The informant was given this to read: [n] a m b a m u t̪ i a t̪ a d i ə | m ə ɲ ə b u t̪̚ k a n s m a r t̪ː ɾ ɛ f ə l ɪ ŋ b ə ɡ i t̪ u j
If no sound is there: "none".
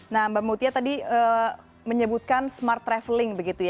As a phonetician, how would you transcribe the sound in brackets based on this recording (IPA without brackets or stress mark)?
n